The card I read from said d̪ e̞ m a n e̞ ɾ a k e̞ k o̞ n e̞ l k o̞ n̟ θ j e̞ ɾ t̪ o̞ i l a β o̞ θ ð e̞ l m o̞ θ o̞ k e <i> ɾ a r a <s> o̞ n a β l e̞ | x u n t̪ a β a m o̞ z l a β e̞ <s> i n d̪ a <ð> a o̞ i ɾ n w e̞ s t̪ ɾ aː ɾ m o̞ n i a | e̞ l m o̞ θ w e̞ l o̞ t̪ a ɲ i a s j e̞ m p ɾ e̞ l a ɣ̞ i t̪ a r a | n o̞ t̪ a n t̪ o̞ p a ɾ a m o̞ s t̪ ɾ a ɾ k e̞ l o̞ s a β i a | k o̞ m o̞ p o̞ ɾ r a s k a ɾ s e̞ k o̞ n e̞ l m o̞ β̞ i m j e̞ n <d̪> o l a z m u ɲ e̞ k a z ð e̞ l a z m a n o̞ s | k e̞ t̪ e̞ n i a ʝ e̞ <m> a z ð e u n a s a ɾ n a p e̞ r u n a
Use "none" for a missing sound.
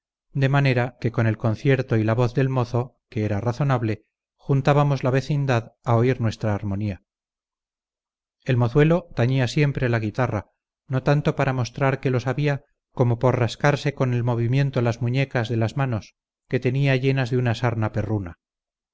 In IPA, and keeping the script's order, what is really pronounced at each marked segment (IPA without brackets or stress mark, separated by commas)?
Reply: e, θ, θ, ð, t̪, n